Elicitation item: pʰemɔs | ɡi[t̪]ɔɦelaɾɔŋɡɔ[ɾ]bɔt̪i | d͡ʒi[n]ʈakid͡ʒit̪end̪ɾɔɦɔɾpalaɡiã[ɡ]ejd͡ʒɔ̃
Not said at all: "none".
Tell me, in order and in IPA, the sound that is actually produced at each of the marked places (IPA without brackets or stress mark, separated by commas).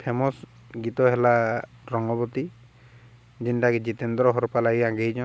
t̪, none, n, ɡ